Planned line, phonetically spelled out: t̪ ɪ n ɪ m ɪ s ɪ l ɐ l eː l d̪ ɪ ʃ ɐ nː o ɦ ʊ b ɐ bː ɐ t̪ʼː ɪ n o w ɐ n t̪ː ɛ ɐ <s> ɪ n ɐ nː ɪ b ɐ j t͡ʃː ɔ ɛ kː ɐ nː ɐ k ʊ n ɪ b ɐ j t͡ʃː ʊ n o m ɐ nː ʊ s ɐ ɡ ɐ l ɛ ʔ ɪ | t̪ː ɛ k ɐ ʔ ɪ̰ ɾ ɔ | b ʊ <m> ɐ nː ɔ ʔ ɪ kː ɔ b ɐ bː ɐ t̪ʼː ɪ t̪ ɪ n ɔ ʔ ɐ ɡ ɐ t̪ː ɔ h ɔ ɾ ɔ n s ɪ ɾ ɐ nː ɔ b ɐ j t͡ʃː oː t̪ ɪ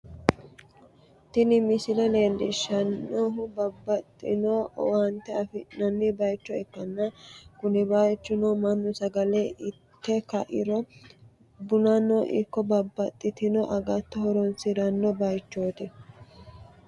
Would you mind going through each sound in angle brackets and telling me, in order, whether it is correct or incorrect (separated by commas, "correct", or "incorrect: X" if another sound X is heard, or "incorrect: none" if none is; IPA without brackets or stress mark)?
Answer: incorrect: f, incorrect: n